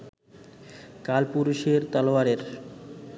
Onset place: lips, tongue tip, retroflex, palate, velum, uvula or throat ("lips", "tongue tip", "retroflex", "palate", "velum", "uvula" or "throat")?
velum